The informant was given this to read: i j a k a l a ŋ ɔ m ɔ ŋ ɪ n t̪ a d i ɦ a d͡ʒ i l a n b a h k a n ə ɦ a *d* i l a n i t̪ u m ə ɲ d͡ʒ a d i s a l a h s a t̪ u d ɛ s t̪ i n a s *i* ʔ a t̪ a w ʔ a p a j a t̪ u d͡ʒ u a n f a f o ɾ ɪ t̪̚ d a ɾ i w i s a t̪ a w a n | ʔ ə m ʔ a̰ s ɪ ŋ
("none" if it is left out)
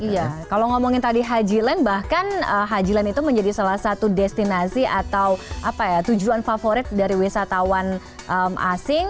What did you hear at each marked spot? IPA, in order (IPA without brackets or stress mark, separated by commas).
d͡ʒ, i